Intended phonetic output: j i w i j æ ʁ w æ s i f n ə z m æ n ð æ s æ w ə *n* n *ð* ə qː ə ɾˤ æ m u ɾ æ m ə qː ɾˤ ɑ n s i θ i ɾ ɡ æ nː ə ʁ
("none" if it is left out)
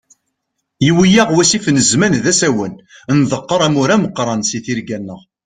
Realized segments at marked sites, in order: n, ð

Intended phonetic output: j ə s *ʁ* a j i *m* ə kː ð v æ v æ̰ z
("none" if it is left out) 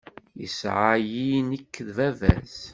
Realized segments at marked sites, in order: ʕ, n

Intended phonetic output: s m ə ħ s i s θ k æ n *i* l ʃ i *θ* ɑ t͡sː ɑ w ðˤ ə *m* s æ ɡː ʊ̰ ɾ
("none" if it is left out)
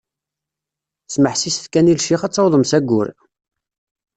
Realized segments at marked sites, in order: i, χ, m

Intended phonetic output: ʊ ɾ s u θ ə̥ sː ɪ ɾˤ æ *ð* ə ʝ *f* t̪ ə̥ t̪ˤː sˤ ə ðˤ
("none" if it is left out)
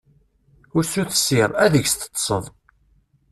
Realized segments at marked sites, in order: ð, s

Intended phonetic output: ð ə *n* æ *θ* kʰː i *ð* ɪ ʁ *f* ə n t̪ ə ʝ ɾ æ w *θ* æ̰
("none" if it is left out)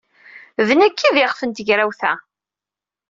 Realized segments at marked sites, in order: n, none, ð, f, θ

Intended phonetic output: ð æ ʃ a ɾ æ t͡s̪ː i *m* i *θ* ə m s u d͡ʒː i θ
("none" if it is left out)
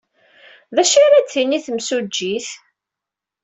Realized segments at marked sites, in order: n, θ

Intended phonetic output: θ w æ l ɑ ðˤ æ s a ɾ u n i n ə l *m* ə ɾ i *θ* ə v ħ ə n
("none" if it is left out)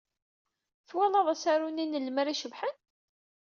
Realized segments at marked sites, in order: m, ʃ

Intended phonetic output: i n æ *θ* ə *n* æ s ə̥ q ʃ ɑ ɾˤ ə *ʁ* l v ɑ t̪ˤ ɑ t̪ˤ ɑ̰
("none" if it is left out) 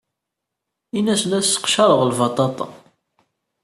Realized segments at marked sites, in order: s, n, ʁ

